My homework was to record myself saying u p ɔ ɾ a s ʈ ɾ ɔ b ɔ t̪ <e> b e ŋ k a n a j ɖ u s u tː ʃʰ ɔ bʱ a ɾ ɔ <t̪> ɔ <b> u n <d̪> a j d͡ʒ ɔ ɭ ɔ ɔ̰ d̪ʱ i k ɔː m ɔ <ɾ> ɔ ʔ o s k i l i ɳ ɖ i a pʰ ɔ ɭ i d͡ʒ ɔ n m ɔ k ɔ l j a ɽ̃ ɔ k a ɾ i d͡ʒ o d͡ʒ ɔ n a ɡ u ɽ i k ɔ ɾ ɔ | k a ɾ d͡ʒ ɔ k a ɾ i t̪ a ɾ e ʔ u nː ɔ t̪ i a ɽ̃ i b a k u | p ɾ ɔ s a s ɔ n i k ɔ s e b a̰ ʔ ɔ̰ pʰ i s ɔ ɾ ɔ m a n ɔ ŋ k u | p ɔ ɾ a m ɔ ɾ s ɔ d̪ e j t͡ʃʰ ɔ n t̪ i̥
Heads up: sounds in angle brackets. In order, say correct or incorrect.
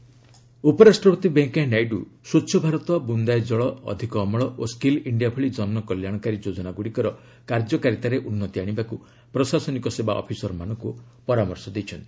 incorrect: i, correct, correct, correct, incorrect: ɭ

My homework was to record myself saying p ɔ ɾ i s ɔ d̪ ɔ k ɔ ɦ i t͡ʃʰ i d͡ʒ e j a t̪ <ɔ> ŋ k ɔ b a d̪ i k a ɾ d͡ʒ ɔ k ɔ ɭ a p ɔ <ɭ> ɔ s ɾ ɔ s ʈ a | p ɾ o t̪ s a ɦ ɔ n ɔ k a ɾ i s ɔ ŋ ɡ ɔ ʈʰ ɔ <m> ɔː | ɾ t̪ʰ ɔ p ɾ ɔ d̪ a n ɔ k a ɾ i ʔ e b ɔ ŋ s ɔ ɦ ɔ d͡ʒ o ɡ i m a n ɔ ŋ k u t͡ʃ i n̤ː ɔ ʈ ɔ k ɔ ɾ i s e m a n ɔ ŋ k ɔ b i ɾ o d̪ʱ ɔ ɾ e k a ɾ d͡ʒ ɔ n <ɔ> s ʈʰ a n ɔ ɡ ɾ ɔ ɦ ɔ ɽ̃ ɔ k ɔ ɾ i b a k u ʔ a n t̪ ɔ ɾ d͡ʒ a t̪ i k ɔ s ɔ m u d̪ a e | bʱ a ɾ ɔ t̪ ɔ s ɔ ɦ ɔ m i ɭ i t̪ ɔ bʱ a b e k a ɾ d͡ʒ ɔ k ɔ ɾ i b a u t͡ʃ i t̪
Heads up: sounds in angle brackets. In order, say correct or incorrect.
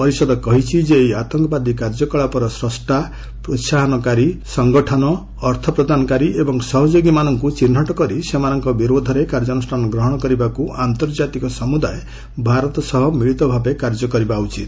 correct, incorrect: ɾ, incorrect: n, incorrect: u

